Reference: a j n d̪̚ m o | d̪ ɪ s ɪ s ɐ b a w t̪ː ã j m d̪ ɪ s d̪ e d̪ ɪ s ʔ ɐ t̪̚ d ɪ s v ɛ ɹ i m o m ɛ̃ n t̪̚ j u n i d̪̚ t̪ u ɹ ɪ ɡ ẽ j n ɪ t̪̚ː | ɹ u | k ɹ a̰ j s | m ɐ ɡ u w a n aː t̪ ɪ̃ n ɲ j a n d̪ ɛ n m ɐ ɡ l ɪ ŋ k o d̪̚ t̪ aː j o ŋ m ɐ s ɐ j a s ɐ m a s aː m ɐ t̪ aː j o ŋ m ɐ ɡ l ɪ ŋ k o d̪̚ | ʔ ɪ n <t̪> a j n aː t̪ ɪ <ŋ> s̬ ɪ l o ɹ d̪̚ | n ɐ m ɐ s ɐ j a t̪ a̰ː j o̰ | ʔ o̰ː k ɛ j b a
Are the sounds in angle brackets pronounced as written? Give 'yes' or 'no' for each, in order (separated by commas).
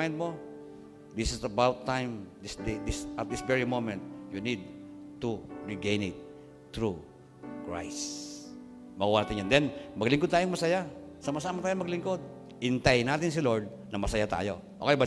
yes, no